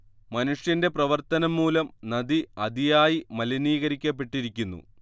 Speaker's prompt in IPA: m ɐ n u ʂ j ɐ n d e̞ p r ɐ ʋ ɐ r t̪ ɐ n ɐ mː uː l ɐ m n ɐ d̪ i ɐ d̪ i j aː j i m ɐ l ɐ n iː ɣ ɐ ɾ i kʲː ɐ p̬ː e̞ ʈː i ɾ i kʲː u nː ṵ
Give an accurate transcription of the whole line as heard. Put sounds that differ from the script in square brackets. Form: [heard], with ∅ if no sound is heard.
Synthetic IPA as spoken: m ɐ n u ʂ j ɐ n d e̞ p r ɐ ʋ ɐ r t̪ ɐ n ɐ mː uː l ɐ m n ɐ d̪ i ɐ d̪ i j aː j i m ɐ l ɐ n iː ɣ ɐ ɾ i kʲː ɐ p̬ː e̞ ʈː i ɾ i kʲː u nː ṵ